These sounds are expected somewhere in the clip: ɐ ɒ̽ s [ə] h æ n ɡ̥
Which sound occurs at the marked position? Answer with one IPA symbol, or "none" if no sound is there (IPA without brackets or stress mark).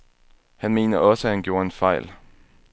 ə